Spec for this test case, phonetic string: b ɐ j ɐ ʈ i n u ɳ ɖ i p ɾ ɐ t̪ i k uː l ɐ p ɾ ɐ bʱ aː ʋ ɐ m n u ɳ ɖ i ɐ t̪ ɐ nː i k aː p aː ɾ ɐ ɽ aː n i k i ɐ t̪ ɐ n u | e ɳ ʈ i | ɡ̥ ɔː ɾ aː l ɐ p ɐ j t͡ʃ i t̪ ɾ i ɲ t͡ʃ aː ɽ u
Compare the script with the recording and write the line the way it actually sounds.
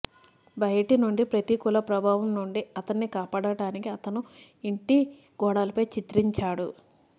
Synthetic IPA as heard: b ɐ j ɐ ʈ i n u ɳ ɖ i p ɾ ɐ t̪ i k u l ɐ p ɾ ɐ bʱ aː ʋ ɐ m n u ɳ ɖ i ɐ t̪ ɐ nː i k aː p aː ɽ ɐ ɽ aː n i k i ɐ t̪ ɐ n u | i ɳ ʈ i | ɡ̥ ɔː ɽ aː l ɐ p ɐ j t͡ʃ i t̪ ɾ i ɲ t͡ʃ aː ɽ u